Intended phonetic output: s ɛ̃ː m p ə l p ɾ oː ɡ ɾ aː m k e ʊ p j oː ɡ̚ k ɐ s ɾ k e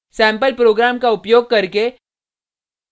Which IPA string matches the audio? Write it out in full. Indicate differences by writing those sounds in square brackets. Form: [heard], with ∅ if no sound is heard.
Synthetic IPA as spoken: s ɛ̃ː m p ə l p ɾ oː ɡ ɾ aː m k [a] ʊ p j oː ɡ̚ k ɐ [∅] ɾ k e